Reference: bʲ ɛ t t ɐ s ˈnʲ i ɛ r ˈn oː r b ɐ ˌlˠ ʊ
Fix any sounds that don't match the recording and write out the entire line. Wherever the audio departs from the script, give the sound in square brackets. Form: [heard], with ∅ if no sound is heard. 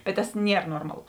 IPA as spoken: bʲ ɛ t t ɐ s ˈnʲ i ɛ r ˈn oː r [m] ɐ ˌlˠ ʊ